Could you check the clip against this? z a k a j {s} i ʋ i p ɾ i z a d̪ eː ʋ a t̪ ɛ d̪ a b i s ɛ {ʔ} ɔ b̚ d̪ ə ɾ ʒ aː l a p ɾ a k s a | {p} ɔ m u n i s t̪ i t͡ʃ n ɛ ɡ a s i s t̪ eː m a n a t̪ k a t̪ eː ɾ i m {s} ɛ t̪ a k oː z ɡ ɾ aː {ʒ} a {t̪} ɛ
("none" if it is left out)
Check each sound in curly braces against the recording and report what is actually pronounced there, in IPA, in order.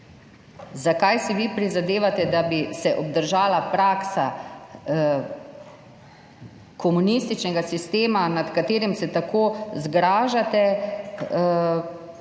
s, ʔ, k, s, ʒ, t̪

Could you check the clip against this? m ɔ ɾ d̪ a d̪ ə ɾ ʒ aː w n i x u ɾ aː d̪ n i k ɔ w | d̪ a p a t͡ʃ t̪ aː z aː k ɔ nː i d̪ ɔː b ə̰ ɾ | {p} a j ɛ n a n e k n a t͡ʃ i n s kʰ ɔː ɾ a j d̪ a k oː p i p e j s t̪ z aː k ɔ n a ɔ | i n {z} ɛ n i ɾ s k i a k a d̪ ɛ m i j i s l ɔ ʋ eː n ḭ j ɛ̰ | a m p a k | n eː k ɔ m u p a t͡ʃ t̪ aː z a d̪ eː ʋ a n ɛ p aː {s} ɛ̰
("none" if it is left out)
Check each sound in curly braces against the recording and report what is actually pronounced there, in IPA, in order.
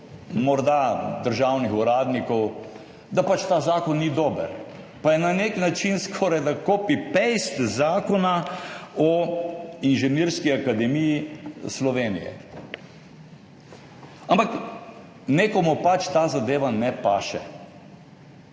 p, ʒ, ʃ

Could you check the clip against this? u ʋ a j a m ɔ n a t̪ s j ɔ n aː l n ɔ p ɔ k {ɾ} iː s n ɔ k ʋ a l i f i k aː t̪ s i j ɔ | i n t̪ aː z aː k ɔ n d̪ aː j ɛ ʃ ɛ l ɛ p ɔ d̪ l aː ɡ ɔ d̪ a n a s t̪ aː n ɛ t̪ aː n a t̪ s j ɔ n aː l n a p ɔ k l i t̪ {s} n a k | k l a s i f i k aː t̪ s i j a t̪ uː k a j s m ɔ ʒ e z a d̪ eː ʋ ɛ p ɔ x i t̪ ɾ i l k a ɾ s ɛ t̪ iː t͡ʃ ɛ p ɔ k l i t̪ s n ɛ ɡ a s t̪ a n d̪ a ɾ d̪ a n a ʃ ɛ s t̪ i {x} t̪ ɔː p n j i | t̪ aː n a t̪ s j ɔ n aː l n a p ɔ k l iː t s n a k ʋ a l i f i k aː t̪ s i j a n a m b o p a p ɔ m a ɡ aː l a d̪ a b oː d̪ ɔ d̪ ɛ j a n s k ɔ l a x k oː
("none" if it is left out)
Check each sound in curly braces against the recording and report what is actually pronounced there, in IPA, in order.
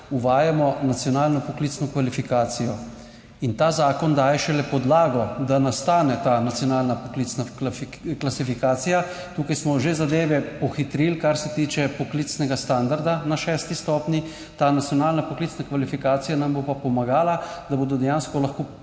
l, s, s

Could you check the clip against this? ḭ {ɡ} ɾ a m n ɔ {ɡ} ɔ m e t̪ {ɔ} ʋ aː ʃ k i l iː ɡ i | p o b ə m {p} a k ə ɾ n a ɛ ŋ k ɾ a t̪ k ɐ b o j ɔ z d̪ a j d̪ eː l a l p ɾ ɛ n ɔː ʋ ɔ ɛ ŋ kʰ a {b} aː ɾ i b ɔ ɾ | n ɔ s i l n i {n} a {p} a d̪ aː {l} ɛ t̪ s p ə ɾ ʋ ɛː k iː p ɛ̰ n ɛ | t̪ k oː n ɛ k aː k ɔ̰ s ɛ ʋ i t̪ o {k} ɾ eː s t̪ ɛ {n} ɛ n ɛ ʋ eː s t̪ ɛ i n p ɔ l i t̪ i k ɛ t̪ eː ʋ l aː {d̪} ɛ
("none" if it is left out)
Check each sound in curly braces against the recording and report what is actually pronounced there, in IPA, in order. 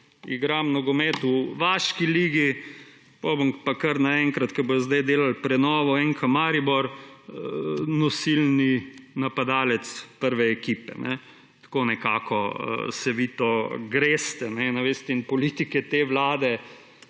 ɡ, ɡ, u, p, m, n, p, l, ɡ, n, d̪

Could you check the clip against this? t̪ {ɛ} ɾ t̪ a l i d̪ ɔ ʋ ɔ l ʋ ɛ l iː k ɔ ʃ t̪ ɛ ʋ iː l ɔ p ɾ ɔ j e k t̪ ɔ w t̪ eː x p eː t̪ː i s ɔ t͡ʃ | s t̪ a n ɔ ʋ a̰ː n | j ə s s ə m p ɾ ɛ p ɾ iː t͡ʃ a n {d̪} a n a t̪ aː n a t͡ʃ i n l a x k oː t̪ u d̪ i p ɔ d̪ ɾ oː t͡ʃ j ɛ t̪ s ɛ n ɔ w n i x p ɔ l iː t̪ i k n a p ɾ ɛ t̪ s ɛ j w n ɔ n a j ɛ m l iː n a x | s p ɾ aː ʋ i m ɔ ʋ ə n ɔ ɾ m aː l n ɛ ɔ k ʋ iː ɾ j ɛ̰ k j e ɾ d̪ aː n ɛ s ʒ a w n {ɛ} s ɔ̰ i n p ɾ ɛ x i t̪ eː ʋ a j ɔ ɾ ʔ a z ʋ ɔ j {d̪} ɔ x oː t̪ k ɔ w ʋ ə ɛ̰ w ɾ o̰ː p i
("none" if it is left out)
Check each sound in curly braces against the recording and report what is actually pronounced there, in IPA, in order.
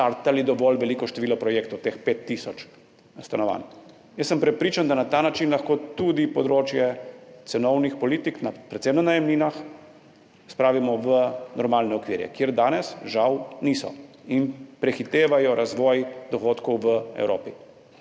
a, d̪, i, d̪

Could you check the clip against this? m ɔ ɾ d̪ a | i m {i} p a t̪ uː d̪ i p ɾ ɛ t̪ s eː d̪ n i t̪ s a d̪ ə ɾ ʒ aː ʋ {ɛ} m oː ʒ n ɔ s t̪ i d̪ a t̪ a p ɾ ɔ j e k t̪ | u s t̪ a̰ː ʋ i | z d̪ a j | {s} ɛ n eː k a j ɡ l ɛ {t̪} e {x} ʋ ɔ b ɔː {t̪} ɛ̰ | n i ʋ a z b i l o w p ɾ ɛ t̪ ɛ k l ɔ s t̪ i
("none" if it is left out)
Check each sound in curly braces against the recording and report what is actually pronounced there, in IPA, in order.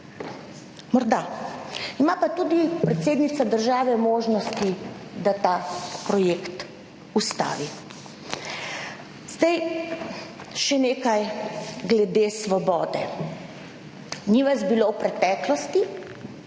a, ɛ, ʃ, d̪, s, d̪

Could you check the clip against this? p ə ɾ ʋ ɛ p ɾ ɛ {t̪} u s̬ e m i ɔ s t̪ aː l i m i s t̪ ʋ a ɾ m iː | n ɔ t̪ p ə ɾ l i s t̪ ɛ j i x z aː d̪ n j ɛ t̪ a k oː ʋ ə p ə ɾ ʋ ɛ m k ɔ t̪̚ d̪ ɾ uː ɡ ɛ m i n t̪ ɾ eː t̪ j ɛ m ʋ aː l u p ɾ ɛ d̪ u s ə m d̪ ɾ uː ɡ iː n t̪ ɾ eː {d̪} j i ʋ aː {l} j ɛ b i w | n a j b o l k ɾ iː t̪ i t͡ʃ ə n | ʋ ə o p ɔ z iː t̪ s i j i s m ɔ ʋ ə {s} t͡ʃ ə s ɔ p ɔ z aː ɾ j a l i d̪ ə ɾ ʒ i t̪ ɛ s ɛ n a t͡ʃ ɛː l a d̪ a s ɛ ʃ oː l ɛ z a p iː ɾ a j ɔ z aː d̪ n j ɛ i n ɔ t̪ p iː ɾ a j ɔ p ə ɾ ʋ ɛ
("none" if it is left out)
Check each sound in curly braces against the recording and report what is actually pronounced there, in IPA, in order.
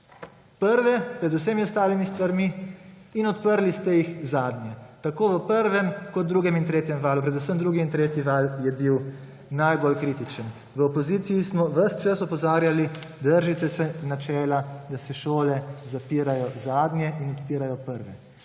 d̪, t̪, l, s

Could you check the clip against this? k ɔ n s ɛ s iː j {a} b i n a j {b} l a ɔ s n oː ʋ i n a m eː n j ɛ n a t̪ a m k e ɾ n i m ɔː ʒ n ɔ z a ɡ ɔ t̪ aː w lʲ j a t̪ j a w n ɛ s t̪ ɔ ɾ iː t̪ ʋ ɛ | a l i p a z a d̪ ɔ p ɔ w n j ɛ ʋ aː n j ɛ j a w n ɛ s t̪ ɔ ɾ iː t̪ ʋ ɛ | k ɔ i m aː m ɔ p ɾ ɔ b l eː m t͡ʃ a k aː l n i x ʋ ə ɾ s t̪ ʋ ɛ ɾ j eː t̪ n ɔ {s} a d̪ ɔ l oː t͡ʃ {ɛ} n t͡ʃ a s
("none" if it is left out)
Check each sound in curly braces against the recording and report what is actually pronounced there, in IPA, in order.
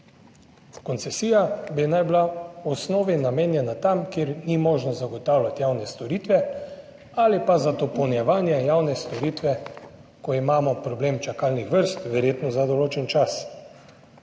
a, b, z, ɛ

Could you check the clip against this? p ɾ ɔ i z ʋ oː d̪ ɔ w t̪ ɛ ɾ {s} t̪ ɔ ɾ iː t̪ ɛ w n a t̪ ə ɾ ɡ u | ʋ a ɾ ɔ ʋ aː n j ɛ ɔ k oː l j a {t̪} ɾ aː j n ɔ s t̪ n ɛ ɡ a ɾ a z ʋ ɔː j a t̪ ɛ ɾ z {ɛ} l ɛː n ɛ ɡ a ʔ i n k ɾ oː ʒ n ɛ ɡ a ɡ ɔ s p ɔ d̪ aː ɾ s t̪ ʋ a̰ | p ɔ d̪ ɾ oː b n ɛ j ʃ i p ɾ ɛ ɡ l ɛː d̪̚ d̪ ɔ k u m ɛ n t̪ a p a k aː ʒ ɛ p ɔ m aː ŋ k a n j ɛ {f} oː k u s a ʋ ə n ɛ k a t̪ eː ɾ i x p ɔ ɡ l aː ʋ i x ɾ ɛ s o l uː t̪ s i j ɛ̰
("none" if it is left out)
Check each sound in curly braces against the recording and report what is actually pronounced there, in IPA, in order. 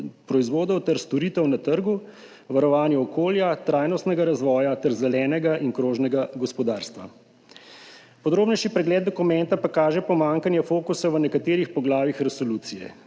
s, t̪, ɛ, f

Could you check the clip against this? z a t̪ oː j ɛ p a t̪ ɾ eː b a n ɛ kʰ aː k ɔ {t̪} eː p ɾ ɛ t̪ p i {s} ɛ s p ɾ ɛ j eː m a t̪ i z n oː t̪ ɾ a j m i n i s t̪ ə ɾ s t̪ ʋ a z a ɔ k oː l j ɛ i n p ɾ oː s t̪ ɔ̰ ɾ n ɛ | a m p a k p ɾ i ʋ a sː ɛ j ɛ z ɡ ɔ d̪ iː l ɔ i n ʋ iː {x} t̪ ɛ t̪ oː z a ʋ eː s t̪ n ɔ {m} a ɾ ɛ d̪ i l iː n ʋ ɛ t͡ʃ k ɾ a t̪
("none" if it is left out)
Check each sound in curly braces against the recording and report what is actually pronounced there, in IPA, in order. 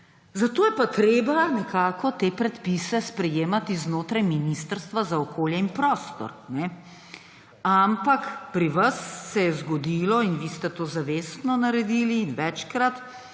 t̪, s, s, n

